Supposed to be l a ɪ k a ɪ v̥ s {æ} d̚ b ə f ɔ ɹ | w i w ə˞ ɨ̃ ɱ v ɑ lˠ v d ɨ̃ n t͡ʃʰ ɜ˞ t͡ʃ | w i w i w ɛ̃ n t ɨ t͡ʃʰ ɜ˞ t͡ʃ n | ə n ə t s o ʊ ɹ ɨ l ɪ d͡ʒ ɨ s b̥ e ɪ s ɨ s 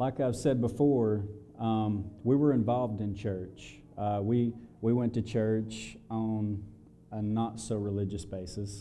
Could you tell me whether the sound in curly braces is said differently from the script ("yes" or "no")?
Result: yes